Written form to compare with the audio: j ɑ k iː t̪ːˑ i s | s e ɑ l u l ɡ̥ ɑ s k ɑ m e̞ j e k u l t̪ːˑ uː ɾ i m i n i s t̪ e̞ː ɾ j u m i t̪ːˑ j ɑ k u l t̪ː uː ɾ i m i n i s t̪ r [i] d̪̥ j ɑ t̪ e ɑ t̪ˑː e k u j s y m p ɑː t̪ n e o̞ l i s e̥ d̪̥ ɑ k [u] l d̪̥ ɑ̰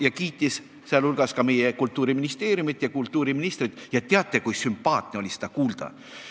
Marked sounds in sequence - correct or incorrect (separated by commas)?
correct, incorrect